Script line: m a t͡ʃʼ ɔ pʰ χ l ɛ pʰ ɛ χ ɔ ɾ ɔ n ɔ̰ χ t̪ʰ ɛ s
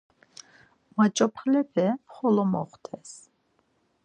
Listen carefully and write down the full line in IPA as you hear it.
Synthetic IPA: m a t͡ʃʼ ɔ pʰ χ l ɛ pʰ ɛ χ ɔ l ɔ m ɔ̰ χ t̪ʰ ɛ s